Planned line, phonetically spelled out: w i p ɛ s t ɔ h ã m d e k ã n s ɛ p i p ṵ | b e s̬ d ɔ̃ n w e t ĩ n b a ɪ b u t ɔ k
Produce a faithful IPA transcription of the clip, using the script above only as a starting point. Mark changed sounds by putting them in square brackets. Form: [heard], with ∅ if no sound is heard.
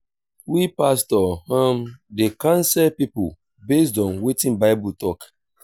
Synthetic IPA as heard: w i p [a] s t ɔ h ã m d e k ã n s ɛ p i p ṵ | b e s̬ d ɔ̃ n w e t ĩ n b a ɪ b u t ɔ k